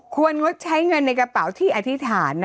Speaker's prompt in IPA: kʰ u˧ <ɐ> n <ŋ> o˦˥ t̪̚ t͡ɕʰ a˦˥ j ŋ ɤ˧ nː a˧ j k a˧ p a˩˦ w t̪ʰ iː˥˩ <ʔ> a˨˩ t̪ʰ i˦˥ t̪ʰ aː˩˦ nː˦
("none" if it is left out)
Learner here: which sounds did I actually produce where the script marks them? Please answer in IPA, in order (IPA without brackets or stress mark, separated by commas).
ə, ŋ, ʔ